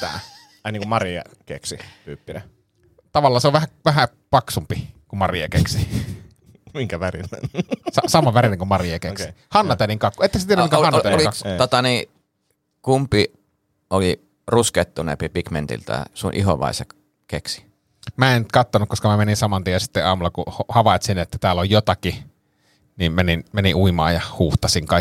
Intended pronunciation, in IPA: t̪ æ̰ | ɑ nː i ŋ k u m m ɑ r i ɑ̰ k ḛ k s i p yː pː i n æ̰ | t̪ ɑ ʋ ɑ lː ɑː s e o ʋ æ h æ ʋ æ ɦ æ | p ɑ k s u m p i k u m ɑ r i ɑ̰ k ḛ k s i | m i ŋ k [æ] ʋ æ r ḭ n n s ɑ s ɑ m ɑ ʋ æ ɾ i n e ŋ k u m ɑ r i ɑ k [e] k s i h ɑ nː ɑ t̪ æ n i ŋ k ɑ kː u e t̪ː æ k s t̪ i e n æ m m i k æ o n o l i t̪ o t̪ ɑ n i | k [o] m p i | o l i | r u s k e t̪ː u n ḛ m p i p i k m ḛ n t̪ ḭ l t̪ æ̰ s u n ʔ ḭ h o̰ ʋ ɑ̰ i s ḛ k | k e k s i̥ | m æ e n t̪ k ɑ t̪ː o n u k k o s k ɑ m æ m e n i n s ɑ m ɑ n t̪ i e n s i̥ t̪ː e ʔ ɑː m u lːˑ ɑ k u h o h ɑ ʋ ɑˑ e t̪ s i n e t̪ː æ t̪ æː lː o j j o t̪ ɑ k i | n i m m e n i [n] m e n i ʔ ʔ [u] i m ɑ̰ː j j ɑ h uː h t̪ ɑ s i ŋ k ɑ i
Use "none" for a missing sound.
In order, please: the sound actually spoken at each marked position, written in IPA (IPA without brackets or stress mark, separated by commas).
æ, e, u, n, u